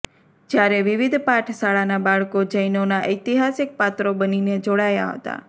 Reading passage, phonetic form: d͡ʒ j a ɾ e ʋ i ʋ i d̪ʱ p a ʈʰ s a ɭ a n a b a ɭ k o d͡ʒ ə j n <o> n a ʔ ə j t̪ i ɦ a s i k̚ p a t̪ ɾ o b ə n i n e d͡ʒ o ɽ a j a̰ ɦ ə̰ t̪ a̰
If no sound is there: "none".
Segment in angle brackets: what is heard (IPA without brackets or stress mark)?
o